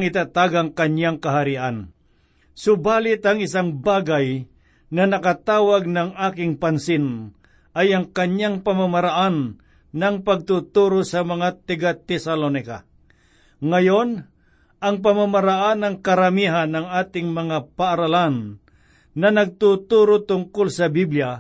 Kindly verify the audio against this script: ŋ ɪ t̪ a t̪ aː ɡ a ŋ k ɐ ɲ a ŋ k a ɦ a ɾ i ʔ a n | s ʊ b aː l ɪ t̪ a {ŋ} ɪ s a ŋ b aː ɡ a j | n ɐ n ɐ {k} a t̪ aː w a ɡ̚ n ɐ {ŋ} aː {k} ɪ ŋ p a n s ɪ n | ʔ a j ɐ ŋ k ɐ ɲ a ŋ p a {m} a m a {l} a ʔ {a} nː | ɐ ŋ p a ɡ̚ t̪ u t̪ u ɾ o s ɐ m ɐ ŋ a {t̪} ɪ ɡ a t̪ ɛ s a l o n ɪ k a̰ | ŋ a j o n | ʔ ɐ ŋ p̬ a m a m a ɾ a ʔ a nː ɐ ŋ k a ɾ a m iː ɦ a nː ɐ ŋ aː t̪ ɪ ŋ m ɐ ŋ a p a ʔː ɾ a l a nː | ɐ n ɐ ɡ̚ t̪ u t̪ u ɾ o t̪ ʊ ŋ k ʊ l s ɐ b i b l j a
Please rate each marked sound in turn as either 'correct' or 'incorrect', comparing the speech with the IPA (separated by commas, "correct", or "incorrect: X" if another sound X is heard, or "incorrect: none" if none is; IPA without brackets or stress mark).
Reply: correct, correct, correct, correct, correct, incorrect: ɾ, correct, correct